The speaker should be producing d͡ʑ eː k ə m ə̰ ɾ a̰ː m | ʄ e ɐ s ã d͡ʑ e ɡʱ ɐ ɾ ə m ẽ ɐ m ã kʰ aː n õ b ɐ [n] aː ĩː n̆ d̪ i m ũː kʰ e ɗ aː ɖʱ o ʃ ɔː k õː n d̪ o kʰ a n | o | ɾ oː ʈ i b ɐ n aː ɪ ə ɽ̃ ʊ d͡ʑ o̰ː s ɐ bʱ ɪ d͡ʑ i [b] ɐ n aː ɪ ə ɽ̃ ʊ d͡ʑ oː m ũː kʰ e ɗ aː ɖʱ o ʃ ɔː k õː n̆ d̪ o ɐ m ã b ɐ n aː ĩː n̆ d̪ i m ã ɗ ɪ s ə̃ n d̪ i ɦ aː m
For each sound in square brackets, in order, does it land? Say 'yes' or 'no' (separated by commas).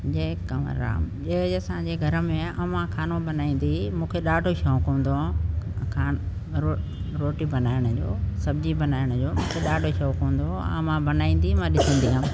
yes, yes